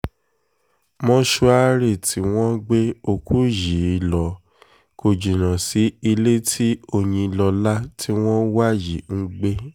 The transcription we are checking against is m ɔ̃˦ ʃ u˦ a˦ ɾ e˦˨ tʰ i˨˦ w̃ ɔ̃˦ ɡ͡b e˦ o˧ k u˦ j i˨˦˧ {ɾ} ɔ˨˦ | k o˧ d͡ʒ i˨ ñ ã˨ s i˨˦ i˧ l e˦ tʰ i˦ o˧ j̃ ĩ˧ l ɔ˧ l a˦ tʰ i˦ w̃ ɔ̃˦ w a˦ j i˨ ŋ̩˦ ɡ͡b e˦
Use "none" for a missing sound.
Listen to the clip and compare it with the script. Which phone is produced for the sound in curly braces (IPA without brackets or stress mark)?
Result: l